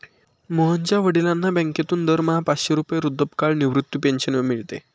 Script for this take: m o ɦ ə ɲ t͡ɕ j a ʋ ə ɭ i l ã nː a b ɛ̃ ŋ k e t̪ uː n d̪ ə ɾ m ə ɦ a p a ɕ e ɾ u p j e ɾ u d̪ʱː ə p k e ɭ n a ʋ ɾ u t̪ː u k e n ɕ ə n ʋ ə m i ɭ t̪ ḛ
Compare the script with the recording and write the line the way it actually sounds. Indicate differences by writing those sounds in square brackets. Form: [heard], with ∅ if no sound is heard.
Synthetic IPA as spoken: m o ɦ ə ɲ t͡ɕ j a ʋ ə [ɽ] i l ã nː a b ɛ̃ ŋ k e t̪ uː n d̪ ə ɾ m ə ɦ a p a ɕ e ɾ u p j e ɾ u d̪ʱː ə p k [a] ɭ n [i] ʋ ɾ u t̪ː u [p] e n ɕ ə n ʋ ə m i ɭ t̪ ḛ